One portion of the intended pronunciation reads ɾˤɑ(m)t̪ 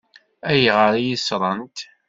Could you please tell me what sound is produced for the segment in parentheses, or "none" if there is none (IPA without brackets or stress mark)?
n